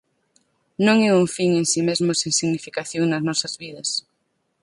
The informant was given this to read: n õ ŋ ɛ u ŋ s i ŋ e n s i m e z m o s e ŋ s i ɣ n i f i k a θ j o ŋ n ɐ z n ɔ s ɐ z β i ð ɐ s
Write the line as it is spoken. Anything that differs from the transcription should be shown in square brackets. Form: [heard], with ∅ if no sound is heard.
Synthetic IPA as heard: n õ ŋ ɛ u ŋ [f] i ŋ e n s i m e z m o s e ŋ s i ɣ n i f i k a θ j o ŋ n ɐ z n ɔ s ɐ z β i ð ɐ s